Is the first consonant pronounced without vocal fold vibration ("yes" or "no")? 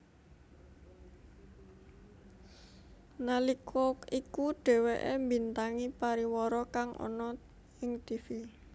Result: no